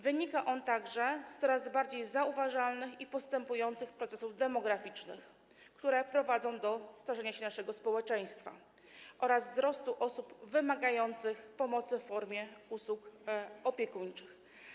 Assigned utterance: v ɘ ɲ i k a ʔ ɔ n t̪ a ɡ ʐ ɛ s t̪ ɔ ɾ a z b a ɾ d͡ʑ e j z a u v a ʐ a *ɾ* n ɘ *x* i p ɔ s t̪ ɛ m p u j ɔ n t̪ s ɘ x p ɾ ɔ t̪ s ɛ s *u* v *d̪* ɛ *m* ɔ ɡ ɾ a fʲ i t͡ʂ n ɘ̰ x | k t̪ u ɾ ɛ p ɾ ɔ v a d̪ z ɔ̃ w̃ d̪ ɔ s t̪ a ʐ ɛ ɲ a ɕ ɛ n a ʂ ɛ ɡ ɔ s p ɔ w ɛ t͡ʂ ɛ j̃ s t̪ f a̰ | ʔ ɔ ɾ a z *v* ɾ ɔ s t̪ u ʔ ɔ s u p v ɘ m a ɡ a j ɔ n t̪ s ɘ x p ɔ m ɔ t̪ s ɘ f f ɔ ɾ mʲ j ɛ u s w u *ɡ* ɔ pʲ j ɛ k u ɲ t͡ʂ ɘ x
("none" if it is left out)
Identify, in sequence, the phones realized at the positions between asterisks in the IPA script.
l, x, u, d̪, m, z, k

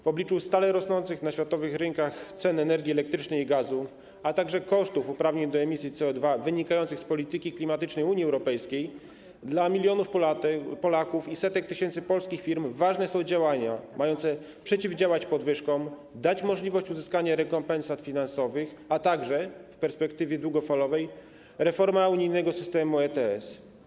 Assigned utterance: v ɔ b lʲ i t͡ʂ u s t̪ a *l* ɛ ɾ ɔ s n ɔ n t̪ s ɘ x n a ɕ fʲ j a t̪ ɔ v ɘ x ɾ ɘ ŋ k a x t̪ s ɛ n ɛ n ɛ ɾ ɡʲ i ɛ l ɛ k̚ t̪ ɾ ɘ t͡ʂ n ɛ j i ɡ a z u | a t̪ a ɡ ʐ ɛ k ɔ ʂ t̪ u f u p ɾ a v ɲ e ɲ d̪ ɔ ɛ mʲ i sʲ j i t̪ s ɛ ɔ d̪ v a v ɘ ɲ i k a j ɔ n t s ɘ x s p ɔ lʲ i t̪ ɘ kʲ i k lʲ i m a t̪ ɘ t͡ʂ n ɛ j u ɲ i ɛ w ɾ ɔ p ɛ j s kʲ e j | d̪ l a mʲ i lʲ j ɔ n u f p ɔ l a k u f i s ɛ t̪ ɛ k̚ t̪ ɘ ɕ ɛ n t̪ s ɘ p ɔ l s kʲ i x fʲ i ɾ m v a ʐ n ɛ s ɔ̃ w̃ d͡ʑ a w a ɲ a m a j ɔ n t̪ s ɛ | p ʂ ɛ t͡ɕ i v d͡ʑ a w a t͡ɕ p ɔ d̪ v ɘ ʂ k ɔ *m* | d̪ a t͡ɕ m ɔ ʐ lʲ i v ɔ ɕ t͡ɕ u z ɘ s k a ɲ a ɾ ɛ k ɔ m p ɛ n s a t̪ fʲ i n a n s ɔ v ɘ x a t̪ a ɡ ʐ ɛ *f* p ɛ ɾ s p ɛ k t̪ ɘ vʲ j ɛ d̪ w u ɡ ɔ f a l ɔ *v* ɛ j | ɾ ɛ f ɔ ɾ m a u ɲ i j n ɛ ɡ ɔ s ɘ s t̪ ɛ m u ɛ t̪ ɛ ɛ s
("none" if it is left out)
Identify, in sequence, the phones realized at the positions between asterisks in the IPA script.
l, m, f, v

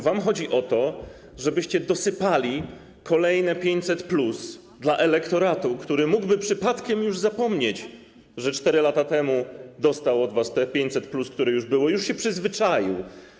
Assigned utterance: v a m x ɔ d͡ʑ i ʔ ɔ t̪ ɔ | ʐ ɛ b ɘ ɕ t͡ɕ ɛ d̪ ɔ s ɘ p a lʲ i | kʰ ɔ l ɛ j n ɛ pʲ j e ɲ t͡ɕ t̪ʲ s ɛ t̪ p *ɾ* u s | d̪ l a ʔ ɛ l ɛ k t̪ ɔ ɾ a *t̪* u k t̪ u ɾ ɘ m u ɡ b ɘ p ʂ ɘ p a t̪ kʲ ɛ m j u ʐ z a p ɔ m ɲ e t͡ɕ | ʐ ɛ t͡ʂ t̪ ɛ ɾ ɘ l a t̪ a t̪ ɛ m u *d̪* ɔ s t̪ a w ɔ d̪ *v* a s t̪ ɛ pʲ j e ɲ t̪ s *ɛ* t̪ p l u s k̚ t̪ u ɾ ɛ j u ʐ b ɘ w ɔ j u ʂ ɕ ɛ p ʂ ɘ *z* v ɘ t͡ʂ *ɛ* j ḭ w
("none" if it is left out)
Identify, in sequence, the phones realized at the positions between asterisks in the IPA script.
l, t̪, d̪, v, ɛ, z, a

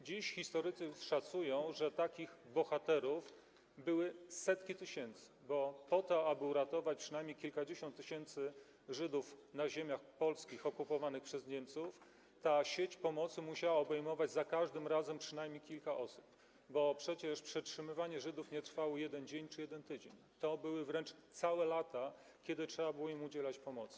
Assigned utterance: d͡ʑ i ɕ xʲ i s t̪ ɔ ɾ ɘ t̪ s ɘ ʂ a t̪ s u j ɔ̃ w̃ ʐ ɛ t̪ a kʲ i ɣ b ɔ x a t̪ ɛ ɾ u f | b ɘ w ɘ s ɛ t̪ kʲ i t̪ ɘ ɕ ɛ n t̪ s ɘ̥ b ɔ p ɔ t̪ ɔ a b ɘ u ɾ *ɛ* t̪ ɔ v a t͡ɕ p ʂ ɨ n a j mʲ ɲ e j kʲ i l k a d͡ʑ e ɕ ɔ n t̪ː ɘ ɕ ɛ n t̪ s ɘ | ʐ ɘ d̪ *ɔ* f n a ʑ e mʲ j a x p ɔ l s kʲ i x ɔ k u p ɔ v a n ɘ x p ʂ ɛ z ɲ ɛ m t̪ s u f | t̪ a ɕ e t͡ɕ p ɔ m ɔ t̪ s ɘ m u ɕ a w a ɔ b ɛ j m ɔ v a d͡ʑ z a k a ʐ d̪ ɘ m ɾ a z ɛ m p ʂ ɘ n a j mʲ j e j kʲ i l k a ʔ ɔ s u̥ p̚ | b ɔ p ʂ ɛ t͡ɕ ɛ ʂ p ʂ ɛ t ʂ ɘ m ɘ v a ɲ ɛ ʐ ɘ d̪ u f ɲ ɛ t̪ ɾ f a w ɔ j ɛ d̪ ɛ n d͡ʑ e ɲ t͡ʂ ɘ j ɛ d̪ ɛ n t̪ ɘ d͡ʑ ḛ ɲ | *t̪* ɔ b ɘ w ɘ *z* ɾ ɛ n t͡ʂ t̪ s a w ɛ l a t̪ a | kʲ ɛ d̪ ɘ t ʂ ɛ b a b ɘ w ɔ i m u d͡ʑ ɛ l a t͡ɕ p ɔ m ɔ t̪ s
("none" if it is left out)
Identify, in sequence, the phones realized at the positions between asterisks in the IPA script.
a, u, t̪, v

